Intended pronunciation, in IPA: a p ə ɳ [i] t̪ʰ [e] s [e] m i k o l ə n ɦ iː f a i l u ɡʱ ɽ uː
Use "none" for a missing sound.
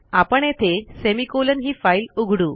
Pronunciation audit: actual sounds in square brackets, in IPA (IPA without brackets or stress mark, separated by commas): e, e, e